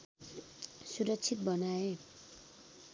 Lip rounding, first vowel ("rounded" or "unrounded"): rounded